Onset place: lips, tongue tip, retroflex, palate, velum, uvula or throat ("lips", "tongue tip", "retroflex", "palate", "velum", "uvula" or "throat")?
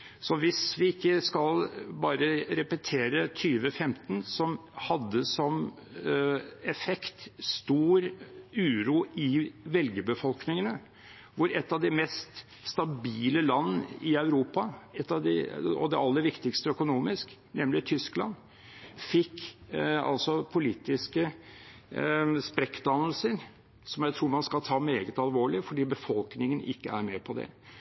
tongue tip